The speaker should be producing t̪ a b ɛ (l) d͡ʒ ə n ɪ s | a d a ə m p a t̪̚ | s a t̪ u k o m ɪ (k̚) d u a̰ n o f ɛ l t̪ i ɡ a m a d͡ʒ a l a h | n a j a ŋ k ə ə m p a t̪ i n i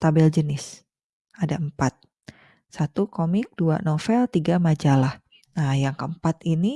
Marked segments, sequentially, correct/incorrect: correct, correct

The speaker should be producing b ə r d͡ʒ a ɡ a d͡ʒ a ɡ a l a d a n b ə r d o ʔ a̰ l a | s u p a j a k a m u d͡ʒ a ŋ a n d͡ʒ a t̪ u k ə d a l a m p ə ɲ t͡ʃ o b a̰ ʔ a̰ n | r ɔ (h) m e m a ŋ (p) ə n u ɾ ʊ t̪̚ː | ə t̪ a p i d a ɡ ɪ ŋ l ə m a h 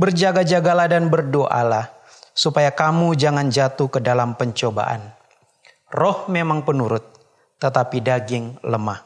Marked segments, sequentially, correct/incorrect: correct, correct

